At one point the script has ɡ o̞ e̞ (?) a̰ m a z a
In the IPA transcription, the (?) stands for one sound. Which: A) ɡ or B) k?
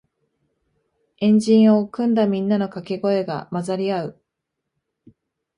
A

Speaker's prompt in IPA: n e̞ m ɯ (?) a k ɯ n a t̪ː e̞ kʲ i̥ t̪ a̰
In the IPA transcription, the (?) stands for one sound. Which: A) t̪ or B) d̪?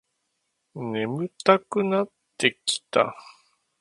A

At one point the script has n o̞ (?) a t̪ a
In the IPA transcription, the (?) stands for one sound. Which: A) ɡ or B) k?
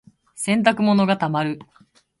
A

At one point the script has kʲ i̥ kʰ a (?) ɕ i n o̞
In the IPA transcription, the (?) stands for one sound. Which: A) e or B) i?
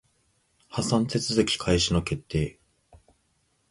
B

